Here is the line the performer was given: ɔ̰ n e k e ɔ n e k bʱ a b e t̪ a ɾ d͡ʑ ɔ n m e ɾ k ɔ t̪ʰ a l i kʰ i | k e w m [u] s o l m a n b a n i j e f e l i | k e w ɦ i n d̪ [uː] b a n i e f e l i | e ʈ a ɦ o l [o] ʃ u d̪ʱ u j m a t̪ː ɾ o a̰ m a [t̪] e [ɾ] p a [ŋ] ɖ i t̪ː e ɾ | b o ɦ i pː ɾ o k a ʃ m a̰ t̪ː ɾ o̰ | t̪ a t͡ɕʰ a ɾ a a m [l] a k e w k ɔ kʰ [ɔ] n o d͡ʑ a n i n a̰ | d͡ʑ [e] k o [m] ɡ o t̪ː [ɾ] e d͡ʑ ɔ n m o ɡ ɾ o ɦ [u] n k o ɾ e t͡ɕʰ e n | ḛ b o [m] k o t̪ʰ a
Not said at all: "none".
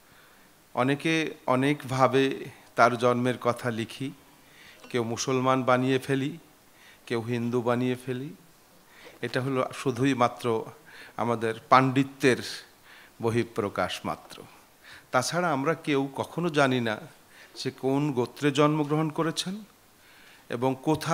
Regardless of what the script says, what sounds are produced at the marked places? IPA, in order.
u, u, o, d̪, ɾ, ɳ, ɾ, o, e, n, ɾ, o, ŋ

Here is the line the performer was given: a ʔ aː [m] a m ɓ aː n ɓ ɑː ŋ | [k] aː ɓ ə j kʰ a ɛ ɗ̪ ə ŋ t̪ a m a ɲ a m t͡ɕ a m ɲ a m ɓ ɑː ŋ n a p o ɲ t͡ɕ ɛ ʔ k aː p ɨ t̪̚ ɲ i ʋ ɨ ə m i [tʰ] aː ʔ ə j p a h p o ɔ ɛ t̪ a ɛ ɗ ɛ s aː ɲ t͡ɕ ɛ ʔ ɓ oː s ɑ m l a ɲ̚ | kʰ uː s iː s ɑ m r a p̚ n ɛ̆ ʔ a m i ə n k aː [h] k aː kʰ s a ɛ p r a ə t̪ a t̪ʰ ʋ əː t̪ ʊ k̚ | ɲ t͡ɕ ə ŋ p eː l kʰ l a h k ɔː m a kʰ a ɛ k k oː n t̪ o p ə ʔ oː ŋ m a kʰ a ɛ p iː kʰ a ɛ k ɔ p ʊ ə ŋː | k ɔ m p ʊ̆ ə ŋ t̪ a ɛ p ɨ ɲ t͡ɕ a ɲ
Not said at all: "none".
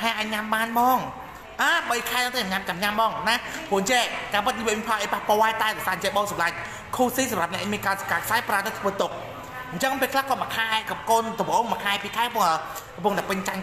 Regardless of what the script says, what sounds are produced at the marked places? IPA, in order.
ɲ, ʔ, pʰ, s

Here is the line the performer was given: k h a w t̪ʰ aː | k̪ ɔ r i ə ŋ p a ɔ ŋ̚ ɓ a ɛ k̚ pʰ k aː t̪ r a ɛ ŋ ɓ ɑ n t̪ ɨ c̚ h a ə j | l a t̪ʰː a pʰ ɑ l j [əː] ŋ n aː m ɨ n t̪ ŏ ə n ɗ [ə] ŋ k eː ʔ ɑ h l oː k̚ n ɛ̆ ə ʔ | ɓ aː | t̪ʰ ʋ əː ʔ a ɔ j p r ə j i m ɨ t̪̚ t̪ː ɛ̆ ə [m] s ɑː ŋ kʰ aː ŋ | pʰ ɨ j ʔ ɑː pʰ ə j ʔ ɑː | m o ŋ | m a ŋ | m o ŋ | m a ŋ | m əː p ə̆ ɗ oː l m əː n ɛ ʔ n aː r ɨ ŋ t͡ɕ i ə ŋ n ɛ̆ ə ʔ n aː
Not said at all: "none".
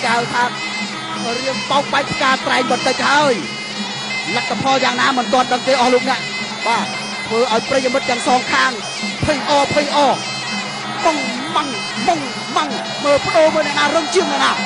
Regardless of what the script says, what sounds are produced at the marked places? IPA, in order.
aː, ə, ŋ

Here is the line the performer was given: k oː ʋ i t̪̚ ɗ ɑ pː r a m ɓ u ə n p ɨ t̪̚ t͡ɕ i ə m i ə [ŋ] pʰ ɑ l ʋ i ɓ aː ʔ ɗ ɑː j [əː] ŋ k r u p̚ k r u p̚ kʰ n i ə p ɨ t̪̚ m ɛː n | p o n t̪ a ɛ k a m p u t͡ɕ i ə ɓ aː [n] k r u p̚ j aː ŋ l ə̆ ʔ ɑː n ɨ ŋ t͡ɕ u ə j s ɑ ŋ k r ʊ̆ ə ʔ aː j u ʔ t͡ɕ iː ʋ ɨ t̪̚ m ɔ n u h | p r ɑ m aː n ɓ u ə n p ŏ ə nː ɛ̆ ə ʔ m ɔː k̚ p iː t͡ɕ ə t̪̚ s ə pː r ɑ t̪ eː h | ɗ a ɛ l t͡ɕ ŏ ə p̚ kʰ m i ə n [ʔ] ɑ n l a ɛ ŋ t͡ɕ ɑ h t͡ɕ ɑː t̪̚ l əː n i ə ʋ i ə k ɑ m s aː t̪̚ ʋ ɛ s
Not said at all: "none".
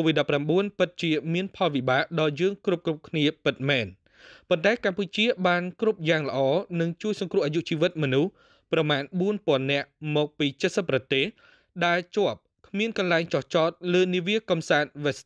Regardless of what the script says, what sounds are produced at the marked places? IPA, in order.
n, əː, n, k

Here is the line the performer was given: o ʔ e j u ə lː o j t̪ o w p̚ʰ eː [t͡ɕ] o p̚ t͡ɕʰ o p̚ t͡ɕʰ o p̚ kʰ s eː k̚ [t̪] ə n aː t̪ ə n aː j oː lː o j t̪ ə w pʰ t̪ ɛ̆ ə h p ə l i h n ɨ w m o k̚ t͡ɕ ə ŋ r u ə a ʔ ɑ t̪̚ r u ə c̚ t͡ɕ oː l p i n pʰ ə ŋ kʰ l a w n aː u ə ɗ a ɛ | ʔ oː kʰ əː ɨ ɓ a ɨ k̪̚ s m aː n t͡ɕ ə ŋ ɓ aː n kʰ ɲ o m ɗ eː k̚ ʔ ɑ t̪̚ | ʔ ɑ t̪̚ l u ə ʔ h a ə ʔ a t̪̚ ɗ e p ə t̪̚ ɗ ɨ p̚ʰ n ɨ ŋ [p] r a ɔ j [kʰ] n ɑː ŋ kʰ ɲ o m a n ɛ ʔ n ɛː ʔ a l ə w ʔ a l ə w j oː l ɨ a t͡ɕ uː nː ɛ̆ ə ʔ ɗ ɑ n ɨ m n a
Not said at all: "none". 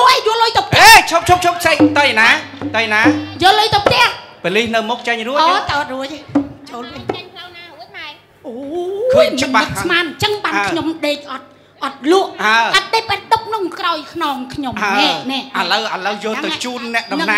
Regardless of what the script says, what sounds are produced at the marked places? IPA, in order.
t͡ɕʰ, t̪, k, kʰ

